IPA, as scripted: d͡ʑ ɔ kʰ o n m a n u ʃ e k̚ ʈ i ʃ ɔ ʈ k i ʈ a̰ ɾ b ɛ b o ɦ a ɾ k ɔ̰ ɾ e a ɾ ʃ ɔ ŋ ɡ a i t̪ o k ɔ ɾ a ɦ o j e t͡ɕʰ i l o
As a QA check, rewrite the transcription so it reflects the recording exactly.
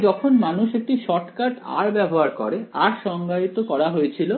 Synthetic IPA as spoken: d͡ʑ ɔ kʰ o n m a n u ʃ e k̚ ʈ i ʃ ɔ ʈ k a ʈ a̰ ɾ b ɛ b o ɦ a ɾ k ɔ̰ ɾ e a ɾ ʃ ɔ ŋ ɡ a i t̪ o k ɔ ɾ a ɦ o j e t͡ɕʰ i l o